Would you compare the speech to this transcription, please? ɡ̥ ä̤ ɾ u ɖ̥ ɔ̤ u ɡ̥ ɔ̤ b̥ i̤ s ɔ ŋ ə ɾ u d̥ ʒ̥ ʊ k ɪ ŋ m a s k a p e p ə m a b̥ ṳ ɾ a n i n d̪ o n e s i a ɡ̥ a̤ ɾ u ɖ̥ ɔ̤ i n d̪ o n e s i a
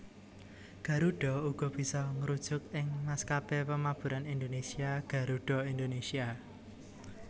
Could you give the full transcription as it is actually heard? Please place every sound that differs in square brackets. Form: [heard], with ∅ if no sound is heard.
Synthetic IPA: ɡ̥ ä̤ ɾ u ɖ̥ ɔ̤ u ɡ̥ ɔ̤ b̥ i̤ s ɔ ŋ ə ɾ u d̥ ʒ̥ ʊ k ɪ ŋ m a s k a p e p ə m a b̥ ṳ ɾ a n i n d̪ o n e s i a ɡ̥ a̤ ɾ u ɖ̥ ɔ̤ i n d̪ o n e s i a